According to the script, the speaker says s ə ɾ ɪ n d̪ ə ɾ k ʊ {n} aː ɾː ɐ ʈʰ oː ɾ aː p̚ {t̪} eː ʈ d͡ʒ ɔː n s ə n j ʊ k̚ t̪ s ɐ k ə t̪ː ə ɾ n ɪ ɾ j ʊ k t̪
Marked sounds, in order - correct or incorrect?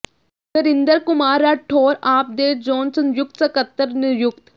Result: incorrect, incorrect

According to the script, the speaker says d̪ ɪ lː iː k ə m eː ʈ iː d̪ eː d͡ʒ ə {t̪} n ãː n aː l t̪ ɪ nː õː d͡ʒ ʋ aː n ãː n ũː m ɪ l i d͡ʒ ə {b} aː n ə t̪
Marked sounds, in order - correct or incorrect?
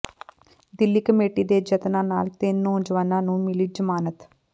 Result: correct, incorrect

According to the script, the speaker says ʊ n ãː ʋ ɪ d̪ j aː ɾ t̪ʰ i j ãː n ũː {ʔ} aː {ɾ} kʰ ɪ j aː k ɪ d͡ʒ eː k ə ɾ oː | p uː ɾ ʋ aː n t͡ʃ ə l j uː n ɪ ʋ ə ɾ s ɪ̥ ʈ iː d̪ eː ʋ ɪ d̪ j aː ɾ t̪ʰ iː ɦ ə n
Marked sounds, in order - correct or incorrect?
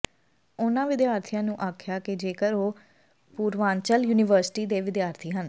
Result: correct, incorrect

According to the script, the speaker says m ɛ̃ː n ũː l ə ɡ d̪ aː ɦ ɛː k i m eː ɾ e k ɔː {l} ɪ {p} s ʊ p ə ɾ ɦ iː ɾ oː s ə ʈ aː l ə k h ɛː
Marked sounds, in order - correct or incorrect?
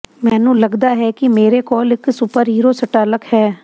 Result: correct, incorrect

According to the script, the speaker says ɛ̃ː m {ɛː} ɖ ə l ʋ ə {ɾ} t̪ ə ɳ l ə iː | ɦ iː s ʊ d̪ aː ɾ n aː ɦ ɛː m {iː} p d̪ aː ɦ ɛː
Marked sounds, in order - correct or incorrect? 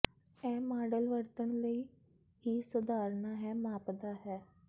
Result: incorrect, correct, incorrect

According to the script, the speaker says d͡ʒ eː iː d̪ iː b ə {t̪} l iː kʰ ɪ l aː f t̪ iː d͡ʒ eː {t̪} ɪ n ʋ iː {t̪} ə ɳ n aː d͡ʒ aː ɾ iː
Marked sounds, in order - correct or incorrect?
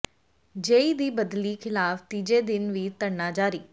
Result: incorrect, incorrect, correct

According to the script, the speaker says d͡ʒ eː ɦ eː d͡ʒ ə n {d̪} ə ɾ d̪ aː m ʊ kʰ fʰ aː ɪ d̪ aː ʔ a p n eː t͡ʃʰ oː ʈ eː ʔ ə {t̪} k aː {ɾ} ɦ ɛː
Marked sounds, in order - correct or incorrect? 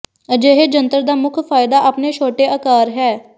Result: incorrect, incorrect, correct

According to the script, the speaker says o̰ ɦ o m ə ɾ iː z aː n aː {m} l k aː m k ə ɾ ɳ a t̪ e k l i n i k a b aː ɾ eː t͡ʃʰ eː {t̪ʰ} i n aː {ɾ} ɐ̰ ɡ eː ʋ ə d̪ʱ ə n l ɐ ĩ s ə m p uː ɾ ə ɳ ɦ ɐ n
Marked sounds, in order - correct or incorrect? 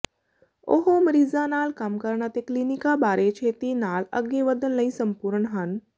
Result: incorrect, incorrect, incorrect

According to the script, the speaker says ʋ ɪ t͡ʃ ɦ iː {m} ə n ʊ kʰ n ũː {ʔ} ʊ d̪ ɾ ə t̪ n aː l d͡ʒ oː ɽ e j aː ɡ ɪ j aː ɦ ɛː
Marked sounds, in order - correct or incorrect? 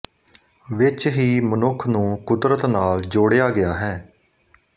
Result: correct, incorrect

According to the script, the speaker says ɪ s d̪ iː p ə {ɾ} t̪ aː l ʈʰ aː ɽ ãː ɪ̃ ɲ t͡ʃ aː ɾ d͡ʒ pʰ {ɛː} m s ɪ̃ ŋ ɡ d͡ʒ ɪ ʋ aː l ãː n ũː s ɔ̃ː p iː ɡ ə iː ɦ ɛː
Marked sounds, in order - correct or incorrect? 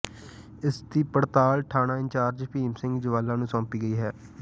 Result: incorrect, incorrect

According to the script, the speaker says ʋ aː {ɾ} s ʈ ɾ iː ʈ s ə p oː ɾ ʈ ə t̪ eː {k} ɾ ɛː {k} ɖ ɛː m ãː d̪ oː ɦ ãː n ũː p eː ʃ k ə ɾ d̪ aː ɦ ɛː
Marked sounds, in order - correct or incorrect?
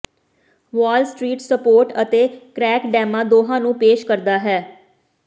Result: incorrect, correct, correct

